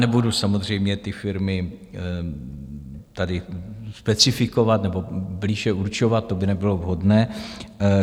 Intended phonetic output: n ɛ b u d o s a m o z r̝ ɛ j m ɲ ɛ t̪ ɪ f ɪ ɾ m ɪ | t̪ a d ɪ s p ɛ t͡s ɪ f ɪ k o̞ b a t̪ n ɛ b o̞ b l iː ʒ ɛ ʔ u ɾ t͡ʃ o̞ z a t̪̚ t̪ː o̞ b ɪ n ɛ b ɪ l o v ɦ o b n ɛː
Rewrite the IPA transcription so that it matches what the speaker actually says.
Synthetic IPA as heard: n ɛ b u d u s a m o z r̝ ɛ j m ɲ ɛ t̪ ɪ f ɪ ɾ m ɪ | t̪ a d ɪ s p ɛ t͡s ɪ f ɪ k o̞ v a t̪ n ɛ b o̞ b l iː ʒ ɛ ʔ u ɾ t͡ʃ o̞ v a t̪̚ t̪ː o̞ b ɪ n ɛ b ɪ l o v ɦ o d n ɛː

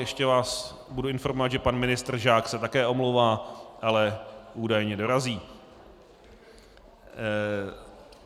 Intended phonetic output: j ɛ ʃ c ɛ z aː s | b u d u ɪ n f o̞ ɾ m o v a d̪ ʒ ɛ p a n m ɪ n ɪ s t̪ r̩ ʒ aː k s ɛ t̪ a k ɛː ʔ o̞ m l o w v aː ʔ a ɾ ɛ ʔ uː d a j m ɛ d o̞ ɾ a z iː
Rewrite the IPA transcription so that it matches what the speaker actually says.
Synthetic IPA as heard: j ɛ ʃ c ɛ v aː s | b u d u ɪ n f o̞ ɾ m o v a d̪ ʒ ɛ p a n m ɪ n ɪ s t̪ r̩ ʒ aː k s ɛ t̪ a k ɛː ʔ o̞ m l o w v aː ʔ a l ɛ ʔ uː d a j ɲ ɛ d o̞ ɾ a z iː

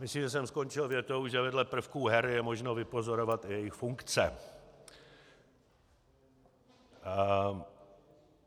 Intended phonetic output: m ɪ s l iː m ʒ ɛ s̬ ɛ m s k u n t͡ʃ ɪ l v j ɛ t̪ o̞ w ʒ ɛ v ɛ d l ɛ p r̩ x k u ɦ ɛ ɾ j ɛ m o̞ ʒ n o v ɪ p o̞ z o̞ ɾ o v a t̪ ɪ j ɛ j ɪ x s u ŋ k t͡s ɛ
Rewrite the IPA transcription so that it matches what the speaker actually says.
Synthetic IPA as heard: m ɪ s l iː m ʒ ɛ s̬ ɛ m s k o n t͡ʃ ɪ l v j ɛ t̪ o̞ w ʒ ɛ v ɛ d l ɛ p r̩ f k u ɦ ɛ ɾ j ɛ m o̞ ʒ n o v ɪ p o̞ z o̞ ɾ o v a t̪ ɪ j ɛ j ɪ x f u ŋ k t͡s ɛ

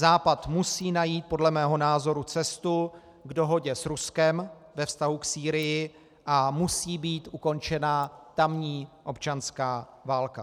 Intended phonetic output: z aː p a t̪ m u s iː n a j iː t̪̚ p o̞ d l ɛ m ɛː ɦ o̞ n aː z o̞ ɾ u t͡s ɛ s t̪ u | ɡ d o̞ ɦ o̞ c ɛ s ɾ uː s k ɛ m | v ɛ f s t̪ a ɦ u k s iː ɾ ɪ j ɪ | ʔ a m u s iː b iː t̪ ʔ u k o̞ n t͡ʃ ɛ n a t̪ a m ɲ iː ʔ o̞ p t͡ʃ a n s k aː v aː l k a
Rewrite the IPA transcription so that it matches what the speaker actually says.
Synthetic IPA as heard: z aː p a t̪ m u s iː n a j iː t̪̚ p o̞ d l ɛ m ɛː ɦ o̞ n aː z o̞ ɾ u t͡s ɛ s t̪ u | ɡ d o̞ ɦ o̞ ɟ ɛ s ɾ u s k ɛ m | v ɛ f s t̪ a ɦ u k s iː ɾ ɪ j ɪ | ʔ a m u s iː b iː t̪ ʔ u k o̞ n t͡ʃ ɛ n a t̪ a m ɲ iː ʔ o̞ p t͡ʃ a n s k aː v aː l k a

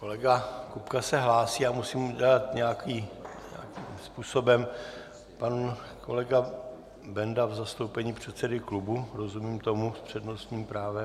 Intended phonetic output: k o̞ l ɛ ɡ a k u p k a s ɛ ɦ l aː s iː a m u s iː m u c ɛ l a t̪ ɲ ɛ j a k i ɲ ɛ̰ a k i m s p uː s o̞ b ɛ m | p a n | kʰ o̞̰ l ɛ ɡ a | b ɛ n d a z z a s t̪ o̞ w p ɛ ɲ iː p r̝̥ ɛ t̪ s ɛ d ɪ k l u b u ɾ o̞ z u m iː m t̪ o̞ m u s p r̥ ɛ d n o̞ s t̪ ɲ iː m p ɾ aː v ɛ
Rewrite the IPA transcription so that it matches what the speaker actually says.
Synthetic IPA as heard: k o̞ l ɛ ɡ a k u p k a s ɛ ɦ l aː s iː a m u s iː m u ɟ ɛ l a t̪ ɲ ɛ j a k i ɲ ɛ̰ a k i m s p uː s o̞ b ɛ m | p a n | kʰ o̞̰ l ɛ ɡ a | b ɛ n d a v z a s t̪ o̞ w p ɛ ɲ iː p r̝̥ ɛ t̪ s ɛ d ɪ k l u b u ɾ o̞ z u m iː m t̪ o̞ m u s p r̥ ɛ d n o̞ s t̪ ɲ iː m p ɾ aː v ɛ

